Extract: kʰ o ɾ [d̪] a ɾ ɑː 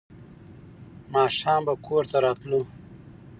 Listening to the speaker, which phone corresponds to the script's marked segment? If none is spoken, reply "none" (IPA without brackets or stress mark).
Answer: t̪